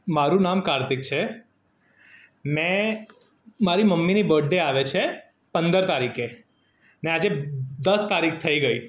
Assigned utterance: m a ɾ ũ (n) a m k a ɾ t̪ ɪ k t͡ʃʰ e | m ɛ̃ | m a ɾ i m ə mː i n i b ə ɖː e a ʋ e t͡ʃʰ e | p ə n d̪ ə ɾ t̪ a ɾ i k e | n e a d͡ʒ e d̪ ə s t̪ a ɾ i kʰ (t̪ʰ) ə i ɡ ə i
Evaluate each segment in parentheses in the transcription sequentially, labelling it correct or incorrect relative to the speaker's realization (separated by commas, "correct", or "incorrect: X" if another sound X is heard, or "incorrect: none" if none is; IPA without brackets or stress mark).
correct, correct